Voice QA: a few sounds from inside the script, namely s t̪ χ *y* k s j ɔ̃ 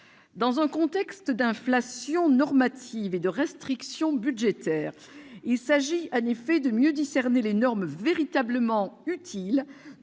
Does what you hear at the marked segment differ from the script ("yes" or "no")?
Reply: yes